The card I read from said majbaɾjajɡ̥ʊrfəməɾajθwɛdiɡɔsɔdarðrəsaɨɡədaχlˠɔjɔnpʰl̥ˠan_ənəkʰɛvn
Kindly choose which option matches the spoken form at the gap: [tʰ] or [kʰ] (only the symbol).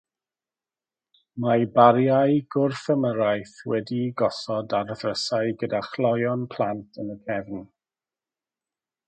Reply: tʰ